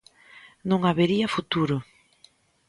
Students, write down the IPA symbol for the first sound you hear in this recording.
n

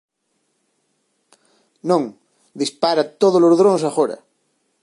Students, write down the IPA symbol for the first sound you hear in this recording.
n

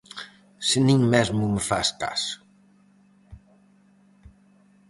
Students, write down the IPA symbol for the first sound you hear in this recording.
s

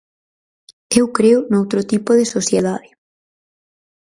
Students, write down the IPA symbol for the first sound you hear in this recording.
e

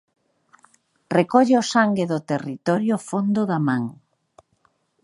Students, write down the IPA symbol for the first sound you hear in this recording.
r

